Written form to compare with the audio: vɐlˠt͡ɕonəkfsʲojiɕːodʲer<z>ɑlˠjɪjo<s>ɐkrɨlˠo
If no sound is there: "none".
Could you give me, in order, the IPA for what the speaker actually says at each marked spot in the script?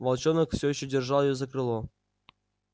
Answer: ʐ, z

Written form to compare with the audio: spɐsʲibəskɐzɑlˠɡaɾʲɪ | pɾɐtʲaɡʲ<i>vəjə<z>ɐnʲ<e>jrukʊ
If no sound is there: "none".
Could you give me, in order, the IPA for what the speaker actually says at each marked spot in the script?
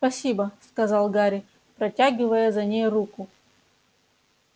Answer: ɪ, z, e

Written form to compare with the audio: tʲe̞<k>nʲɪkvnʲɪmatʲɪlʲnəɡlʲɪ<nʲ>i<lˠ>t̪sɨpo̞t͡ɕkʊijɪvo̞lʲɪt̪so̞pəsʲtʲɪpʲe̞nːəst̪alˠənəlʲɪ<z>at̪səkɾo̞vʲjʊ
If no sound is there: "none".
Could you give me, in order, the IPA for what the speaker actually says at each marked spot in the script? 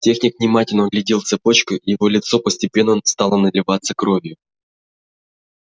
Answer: x, dʲ, lˠ, v

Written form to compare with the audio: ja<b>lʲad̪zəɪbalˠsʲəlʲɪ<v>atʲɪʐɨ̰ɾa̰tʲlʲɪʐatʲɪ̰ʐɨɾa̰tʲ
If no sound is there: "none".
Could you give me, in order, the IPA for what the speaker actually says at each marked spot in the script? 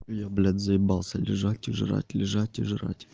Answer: b, ʐ

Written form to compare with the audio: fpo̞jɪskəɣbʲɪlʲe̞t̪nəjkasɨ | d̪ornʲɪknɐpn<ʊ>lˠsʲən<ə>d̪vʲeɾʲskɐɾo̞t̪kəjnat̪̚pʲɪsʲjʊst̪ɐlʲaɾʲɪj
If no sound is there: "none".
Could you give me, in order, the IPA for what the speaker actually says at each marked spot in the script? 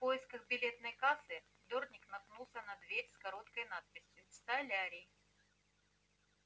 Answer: u, ɐ

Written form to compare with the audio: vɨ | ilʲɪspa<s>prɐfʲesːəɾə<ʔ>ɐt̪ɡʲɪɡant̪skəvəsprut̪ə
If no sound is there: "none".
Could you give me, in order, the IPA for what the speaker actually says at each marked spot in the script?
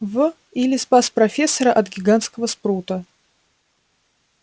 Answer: s, ʔ

